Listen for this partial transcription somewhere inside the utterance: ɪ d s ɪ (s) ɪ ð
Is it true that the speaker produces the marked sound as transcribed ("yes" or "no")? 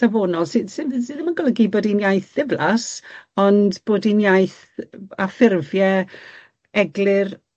yes